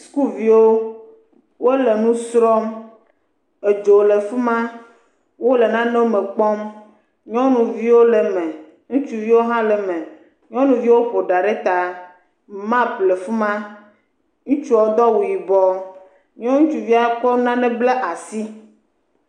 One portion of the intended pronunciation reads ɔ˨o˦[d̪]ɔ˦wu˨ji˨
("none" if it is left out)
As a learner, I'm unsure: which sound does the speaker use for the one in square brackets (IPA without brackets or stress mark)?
d̪